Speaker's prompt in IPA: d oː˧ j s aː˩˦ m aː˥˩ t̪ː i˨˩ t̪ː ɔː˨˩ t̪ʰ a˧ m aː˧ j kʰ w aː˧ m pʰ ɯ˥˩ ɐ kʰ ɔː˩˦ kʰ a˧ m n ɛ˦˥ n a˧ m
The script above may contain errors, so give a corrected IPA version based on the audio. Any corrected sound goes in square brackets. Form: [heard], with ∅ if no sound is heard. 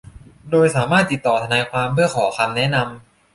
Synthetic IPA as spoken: d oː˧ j s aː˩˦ m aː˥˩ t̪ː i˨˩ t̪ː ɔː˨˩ t̪ʰ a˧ [n] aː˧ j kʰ w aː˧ m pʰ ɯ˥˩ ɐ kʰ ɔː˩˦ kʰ a˧ m n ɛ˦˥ n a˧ m